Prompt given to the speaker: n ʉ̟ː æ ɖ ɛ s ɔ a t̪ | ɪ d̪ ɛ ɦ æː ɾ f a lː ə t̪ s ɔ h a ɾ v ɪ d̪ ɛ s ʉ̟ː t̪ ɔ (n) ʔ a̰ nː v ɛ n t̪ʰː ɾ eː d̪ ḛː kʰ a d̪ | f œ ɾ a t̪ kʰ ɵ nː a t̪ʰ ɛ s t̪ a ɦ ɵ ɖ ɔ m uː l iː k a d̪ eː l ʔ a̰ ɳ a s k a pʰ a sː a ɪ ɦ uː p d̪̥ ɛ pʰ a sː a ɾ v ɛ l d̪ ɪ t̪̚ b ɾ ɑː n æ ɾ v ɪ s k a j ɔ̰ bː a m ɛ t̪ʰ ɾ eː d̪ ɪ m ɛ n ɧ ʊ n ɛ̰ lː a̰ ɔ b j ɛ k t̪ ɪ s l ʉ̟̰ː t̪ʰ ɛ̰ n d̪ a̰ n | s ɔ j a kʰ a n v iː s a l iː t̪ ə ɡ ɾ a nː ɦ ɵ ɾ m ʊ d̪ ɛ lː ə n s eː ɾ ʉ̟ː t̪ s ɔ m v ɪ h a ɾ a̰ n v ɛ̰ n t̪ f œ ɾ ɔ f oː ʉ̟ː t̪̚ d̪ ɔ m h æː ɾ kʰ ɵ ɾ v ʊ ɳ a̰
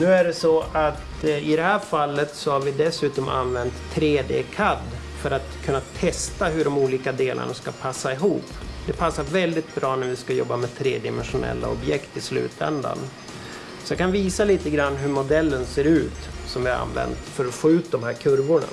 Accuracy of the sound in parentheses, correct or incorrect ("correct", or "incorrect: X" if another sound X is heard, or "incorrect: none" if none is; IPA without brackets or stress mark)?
incorrect: m